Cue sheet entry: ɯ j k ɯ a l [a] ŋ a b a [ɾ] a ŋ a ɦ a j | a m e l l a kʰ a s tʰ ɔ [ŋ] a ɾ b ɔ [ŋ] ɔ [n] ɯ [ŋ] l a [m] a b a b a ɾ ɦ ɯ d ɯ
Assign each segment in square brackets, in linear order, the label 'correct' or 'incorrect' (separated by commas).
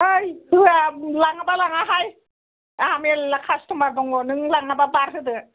correct, incorrect, incorrect, correct, correct, correct, incorrect